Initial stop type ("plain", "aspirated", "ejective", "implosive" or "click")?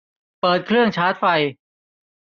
plain